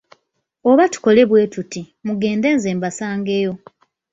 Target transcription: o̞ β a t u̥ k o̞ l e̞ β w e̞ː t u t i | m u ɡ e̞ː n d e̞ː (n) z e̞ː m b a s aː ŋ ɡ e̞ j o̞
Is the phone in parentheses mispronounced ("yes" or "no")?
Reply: no